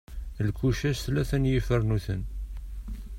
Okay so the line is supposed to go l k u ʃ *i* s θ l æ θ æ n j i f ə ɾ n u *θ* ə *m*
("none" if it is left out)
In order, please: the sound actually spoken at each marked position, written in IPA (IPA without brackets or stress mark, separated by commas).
æ, θ, n